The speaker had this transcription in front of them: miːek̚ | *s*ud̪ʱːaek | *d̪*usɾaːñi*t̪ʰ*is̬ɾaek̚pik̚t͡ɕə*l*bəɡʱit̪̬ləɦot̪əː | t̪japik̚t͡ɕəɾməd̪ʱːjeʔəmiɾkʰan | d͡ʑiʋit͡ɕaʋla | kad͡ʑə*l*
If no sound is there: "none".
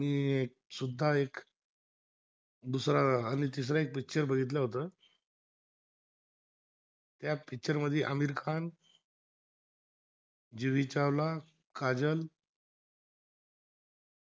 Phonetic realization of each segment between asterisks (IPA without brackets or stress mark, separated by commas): s, d̪, t̪, ɾ, l